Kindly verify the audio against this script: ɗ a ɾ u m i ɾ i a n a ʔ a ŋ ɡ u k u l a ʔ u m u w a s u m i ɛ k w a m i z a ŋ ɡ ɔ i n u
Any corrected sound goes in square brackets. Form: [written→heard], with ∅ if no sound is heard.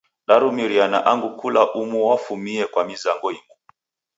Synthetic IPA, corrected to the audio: ɗ a ɾ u m i ɾ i a n a ʔ a ŋ ɡ u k u l a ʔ u m u w a [s→f] u m i ɛ k w a m i z a ŋ ɡ ɔ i [n→m] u